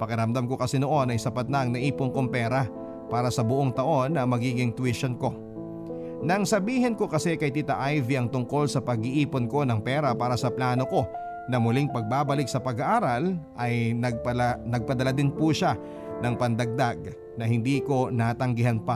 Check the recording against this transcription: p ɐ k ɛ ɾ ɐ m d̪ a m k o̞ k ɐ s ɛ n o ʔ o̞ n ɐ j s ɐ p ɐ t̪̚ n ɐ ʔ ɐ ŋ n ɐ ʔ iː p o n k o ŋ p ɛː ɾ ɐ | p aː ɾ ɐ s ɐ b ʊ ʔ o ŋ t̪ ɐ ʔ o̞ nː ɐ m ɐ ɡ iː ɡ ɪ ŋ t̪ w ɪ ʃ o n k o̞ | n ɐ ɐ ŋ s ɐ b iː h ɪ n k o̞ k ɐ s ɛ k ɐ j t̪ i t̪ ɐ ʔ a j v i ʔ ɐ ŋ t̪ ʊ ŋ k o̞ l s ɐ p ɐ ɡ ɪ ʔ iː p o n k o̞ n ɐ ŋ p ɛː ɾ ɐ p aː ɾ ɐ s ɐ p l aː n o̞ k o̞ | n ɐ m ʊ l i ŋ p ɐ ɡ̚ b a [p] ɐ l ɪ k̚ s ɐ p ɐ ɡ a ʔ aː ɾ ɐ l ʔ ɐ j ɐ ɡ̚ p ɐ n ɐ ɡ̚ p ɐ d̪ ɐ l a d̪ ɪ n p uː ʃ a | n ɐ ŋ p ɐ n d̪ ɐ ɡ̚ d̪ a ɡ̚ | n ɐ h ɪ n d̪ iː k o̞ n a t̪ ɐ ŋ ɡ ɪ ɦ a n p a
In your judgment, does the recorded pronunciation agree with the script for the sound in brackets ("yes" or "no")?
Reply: no